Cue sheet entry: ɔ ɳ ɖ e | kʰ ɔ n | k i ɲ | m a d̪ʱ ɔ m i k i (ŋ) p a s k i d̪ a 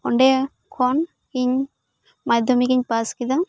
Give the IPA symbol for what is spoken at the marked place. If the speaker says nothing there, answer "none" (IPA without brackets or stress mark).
ɲ